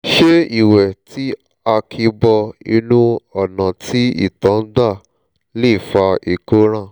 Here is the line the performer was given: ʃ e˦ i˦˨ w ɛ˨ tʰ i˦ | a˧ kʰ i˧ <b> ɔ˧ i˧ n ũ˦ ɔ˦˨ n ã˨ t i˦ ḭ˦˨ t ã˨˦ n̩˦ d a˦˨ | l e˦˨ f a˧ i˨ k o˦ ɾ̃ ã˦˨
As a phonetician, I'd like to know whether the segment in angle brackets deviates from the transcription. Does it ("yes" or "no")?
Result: no